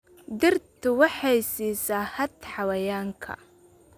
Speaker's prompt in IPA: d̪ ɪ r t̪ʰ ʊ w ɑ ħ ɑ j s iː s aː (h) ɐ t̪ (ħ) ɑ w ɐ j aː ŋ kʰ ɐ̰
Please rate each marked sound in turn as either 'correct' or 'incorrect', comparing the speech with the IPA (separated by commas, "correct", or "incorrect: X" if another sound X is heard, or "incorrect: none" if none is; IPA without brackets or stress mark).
correct, correct